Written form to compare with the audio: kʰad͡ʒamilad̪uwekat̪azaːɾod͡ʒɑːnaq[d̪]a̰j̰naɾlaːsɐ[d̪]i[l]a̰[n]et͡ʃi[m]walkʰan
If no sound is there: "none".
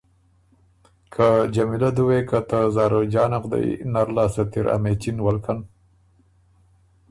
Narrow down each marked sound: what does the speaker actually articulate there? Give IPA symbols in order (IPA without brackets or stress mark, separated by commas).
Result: d̪, t̪, ɾ, m, n